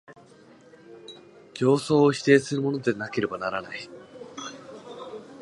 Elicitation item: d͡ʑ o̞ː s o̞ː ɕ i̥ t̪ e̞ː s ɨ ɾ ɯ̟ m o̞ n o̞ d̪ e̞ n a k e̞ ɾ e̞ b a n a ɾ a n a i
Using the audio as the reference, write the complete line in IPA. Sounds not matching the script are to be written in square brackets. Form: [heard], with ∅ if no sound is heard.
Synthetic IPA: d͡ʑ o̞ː s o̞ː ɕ i̥ t̪ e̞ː s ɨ ɾ ɯ̟ m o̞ n o̞ d̪ e̞ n a k e̞ ɾ e̞ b a n a ɾ a n a i